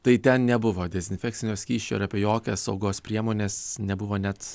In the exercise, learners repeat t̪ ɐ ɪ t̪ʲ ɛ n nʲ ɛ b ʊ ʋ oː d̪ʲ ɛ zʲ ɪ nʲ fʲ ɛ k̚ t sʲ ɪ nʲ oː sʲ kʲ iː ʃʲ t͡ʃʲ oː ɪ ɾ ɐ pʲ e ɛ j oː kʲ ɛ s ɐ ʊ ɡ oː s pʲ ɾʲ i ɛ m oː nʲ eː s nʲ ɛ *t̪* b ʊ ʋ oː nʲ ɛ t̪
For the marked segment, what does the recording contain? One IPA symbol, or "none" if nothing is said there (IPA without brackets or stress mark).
none